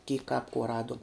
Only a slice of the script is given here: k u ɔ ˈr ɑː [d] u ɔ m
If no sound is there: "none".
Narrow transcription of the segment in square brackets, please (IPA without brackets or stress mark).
d